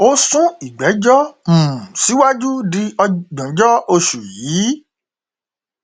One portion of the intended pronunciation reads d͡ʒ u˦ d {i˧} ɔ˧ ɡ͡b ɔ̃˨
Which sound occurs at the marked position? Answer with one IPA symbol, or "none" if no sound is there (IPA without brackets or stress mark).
i˧